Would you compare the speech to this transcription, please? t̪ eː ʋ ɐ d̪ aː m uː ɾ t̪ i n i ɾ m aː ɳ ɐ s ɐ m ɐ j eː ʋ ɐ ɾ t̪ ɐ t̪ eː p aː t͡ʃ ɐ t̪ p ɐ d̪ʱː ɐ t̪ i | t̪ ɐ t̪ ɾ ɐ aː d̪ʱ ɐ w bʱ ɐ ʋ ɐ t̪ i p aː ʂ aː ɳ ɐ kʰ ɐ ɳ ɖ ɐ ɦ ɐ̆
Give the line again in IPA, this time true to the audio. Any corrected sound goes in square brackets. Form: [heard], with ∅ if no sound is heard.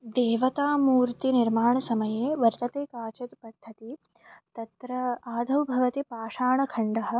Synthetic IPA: [d̪] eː ʋ ɐ [t̪] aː m uː ɾ t̪ i n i ɾ m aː ɳ ɐ s ɐ m ɐ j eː ʋ ɐ ɾ t̪ ɐ t̪ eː [k] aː t͡ʃ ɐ t̪ p ɐ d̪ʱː ɐ t̪ i | t̪ ɐ t̪ ɾ ɐ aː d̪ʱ ɐ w bʱ ɐ ʋ ɐ t̪ i p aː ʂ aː ɳ ɐ kʰ ɐ ɳ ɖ ɐ ɦ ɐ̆